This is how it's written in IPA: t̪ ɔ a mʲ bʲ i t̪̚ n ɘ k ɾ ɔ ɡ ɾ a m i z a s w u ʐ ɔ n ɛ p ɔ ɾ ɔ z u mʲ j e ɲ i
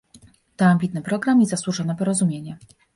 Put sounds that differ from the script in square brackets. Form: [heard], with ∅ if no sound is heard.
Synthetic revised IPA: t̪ ɔ a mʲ bʲ i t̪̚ n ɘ [p] ɾ ɔ ɡ ɾ a m i z a s w u ʐ ɔ n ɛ p ɔ ɾ ɔ z u mʲ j e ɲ [ɛ]